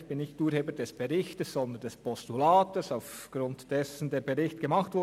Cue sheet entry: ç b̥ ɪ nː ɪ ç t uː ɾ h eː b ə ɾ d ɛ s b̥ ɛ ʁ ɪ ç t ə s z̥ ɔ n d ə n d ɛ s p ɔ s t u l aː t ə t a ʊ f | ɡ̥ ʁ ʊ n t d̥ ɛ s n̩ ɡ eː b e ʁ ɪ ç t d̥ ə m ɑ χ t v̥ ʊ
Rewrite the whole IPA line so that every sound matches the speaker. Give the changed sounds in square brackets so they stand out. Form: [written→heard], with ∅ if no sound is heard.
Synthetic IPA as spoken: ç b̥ ɪ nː ɪ ç t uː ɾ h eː b ə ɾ d ɛ s b̥ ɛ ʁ ɪ ç t ə s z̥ ɔ n d ə n d ɛ s p ɔ s t u l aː t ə [t→s] a ʊ f | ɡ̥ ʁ ʊ n t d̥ ɛ s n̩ [ɡ→d] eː b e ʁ ɪ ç t [d̥→ɡ̥] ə m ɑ χ t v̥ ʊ